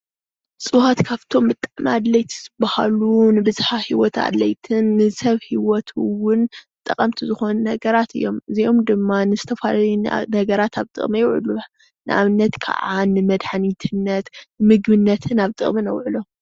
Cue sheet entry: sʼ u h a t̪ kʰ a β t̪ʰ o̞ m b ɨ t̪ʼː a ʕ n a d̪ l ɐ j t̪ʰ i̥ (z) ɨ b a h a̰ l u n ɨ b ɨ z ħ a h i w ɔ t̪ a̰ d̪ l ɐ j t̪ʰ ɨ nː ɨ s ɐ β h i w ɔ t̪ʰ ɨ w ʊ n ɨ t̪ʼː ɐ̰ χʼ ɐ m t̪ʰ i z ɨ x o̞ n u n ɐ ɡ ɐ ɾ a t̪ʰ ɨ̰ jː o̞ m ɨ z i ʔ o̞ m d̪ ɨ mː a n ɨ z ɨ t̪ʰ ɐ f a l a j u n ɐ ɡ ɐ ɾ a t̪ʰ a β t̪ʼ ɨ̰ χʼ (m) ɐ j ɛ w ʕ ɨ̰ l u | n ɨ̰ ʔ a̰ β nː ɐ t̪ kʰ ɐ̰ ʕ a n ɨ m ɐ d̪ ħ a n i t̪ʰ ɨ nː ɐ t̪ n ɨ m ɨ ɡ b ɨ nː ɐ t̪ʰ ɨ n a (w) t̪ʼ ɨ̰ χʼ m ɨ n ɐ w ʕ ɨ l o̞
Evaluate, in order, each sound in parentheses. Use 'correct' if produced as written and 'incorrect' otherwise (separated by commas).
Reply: correct, correct, incorrect